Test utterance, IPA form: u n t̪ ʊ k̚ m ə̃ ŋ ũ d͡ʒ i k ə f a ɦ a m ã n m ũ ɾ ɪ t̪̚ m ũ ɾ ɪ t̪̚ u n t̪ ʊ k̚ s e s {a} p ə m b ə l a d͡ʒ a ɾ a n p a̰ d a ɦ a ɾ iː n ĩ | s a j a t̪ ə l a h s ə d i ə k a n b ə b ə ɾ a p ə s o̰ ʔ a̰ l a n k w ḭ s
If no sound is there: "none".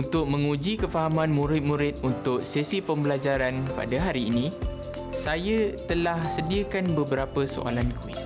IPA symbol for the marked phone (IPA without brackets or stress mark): i